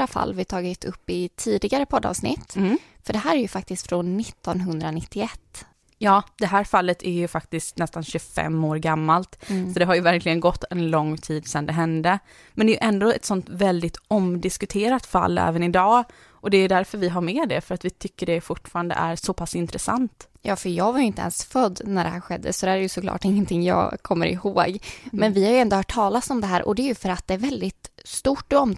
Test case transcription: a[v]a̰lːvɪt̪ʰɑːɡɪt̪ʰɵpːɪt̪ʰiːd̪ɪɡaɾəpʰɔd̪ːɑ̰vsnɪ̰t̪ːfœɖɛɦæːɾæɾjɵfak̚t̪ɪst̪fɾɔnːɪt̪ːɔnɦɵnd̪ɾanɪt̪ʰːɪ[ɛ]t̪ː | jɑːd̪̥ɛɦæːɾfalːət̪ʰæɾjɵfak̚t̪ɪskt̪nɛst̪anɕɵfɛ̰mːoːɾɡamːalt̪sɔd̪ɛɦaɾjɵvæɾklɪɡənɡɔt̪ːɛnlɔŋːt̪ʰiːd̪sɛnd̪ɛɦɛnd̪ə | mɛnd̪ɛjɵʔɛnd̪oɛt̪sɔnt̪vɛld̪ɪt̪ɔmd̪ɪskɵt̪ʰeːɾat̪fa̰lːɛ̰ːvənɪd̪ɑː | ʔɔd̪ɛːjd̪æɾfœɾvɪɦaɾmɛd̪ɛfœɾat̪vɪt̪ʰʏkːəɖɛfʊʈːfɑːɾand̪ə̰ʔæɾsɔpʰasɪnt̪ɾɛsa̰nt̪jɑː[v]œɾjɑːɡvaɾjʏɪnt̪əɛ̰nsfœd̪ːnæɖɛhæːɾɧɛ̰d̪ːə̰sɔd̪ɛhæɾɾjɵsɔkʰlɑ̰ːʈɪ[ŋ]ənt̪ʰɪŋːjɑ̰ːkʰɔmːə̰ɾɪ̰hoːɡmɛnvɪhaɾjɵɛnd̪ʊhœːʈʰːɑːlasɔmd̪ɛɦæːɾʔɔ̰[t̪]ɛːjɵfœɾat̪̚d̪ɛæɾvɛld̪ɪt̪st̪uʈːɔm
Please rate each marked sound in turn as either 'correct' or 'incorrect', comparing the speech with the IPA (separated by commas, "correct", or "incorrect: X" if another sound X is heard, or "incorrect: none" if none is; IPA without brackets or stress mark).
incorrect: f, correct, incorrect: f, incorrect: ŋː, incorrect: d̪